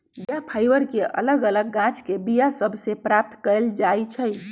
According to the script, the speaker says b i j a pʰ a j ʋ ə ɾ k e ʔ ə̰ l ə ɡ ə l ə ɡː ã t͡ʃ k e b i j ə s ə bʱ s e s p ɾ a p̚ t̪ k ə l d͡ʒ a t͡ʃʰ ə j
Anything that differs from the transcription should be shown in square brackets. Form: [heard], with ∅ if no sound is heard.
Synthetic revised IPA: b i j a pʰ a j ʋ ə ɾ k e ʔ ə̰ l ə ɡ ə l ə ɡː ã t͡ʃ k e b i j [a] s ə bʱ s e [∅] p ɾ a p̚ t̪ k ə l d͡ʒ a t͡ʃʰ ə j